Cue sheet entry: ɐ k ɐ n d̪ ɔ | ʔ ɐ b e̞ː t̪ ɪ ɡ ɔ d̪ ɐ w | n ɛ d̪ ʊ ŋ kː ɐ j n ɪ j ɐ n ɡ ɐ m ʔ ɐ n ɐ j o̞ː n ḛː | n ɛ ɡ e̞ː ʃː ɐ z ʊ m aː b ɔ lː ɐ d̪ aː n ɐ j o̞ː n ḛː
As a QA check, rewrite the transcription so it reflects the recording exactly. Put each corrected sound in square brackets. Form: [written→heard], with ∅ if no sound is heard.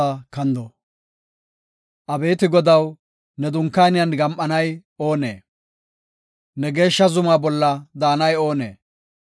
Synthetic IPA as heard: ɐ k ɐ n d̪ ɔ | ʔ ɐ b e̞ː t̪ ɪ ɡ ɔ d̪ ɐ w | n ɛ d̪ ʊ ŋ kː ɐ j n ɪ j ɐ n ɡ ɐ m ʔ ɐ n ɐ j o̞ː n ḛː | n ɛ ɡ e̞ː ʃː ɐ z ʊ m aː b ɔ lː ɐ d̪ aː n ɐ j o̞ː n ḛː